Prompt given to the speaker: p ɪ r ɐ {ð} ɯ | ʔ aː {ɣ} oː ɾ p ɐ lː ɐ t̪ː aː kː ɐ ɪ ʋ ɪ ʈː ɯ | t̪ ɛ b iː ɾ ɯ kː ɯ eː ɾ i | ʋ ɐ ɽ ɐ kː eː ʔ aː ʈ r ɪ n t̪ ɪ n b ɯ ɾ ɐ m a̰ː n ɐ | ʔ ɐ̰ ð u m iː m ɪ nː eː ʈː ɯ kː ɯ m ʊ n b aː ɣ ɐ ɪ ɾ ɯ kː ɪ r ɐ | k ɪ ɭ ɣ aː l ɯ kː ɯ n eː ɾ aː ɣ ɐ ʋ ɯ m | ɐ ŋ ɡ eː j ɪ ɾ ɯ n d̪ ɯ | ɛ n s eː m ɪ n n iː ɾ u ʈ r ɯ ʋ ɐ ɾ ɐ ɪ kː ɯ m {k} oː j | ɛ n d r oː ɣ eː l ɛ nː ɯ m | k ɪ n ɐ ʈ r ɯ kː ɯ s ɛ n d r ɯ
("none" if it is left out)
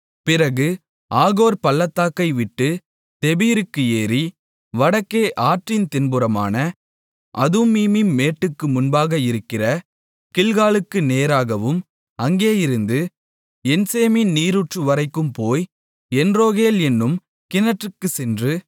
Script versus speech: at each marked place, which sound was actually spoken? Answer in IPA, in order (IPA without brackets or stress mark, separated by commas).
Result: ɣ, ɣ, p